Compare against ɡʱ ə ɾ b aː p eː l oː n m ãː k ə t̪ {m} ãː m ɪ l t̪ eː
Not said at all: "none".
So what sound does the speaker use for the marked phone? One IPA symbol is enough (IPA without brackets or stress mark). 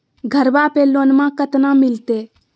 n